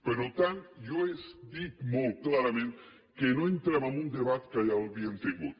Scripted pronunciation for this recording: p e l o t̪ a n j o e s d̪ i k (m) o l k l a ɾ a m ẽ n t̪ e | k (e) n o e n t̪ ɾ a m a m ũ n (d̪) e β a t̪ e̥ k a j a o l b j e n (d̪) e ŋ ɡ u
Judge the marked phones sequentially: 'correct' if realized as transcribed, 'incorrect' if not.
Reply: correct, correct, correct, incorrect: t̪

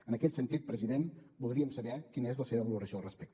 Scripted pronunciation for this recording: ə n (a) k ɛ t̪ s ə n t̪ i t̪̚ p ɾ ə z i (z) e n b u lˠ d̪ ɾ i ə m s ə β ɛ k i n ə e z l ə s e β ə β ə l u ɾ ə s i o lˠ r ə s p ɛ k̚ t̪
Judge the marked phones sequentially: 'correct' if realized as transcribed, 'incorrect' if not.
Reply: incorrect: ə, incorrect: ð

